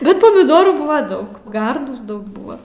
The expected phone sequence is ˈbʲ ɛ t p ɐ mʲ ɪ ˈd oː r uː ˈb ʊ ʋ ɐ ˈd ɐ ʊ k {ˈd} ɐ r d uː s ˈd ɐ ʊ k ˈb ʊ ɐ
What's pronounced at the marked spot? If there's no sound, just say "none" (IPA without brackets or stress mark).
ɡ